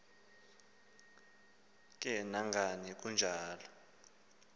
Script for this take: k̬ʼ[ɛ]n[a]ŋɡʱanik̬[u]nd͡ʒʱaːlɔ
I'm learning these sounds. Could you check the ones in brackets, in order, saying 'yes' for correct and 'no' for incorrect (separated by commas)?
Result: yes, yes, yes